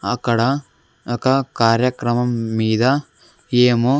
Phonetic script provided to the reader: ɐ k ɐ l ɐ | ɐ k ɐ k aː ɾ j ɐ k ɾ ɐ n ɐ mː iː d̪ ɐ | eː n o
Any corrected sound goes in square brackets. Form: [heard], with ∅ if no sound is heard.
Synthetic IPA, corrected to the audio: ɐ k ɐ [ɽ] ɐ | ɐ k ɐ k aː ɾ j ɐ k ɾ ɐ [m] ɐ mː iː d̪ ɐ | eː [m] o